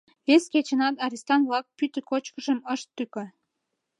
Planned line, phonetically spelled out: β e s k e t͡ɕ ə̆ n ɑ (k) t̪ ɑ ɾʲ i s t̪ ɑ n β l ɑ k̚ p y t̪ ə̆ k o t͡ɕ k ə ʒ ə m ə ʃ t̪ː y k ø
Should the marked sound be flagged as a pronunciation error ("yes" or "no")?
yes